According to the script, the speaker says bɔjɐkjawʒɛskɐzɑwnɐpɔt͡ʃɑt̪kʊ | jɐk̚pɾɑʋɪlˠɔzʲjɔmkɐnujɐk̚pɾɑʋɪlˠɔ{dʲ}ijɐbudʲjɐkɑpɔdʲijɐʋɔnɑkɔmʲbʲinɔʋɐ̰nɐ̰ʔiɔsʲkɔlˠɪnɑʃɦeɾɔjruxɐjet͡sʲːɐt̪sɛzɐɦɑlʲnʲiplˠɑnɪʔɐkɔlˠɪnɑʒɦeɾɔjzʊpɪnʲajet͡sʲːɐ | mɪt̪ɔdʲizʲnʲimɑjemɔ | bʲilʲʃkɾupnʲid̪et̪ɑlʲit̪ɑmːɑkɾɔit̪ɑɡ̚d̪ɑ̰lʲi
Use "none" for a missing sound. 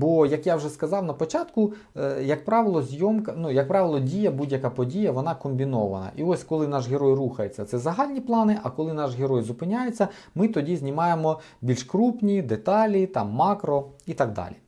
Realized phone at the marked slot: dʲ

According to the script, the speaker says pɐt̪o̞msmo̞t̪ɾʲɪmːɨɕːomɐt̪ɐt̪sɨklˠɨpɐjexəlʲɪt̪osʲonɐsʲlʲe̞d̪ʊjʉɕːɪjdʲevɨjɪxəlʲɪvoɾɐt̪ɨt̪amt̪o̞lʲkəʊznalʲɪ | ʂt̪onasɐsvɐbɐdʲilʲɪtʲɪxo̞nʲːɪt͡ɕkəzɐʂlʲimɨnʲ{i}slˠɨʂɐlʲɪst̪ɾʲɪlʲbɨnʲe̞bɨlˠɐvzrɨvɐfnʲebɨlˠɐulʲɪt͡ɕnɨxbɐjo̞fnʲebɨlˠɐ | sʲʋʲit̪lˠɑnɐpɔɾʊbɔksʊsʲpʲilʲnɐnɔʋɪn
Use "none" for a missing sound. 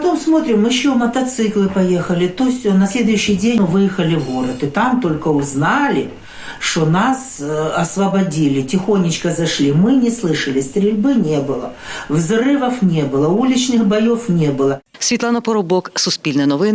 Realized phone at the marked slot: ɪ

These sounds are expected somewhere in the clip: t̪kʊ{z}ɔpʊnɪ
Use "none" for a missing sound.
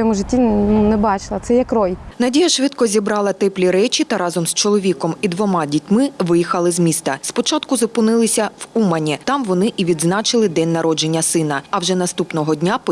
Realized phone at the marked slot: z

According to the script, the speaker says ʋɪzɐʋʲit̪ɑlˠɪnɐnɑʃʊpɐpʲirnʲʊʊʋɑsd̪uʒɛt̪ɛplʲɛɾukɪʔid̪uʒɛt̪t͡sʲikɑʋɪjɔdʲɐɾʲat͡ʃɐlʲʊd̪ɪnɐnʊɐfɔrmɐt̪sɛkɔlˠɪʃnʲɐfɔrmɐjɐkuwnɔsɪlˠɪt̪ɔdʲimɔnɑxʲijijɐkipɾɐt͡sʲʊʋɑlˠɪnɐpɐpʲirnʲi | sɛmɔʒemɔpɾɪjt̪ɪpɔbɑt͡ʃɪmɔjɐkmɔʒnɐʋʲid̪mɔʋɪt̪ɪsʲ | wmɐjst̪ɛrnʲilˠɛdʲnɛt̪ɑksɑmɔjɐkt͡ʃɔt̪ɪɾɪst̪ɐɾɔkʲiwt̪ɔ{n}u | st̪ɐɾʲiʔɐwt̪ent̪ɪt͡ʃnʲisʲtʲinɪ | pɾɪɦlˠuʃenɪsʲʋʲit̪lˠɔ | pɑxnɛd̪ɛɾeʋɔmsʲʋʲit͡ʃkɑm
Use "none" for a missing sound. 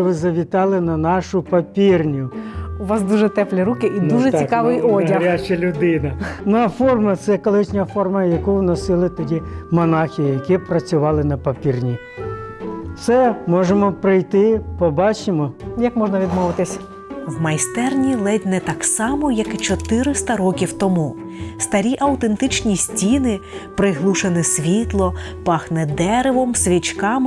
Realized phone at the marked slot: m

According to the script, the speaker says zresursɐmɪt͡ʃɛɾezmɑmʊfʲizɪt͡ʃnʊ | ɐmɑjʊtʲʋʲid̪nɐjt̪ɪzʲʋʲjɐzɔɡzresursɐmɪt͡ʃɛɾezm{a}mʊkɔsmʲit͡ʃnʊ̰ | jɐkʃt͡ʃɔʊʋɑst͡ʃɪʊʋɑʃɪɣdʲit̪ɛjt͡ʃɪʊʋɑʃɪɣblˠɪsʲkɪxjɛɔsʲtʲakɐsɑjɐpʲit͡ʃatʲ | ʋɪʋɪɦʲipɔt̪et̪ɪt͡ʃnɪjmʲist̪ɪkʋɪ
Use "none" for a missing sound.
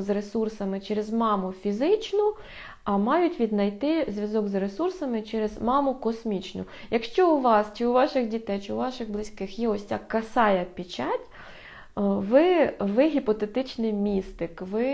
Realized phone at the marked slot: ɑ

